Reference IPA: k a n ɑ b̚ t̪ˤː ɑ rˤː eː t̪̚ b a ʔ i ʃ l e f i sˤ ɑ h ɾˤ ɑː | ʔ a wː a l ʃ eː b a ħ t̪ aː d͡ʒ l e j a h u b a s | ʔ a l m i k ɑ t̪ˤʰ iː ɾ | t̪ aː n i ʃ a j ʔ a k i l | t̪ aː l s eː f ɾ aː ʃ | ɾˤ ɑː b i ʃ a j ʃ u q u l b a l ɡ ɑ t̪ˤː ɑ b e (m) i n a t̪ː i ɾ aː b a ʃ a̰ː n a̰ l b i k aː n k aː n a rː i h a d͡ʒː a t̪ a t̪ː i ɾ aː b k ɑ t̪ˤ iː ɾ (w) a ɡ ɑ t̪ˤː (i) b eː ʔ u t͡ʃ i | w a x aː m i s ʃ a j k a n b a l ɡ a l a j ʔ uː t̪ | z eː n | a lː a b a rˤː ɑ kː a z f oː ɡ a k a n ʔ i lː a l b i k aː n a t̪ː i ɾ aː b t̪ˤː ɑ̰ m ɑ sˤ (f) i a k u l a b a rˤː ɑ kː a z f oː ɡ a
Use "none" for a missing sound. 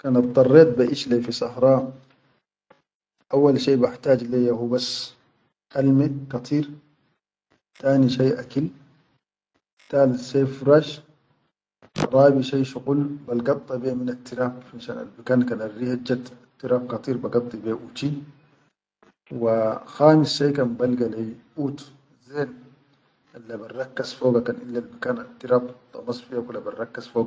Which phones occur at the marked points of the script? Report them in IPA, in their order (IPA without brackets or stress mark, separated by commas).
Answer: m, b, i, f